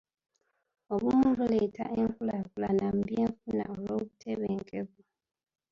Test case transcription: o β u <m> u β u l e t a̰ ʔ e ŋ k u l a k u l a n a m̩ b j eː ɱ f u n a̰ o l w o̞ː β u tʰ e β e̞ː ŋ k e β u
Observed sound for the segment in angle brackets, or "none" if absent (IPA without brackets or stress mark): m